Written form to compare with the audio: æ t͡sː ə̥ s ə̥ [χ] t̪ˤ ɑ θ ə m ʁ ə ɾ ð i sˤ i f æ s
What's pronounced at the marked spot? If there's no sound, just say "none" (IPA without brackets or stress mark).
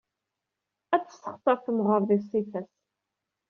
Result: χ